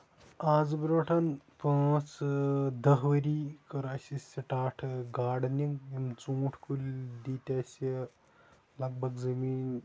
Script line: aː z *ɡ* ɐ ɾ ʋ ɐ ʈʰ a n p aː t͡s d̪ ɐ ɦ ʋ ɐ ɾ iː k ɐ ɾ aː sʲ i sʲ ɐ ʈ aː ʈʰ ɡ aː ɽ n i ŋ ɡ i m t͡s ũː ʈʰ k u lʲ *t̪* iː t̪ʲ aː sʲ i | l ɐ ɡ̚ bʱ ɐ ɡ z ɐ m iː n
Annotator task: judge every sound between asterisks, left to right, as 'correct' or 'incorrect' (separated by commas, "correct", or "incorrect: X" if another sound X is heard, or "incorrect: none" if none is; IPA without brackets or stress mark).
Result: incorrect: b, incorrect: d̪